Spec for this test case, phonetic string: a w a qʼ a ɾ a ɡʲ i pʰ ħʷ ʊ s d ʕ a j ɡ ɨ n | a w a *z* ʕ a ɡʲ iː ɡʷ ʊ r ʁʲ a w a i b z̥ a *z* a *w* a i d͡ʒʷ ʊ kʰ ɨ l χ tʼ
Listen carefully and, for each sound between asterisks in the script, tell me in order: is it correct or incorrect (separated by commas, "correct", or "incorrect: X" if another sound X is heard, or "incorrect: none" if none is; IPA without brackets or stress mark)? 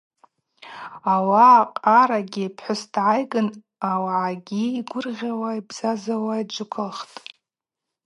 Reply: incorrect: none, correct, correct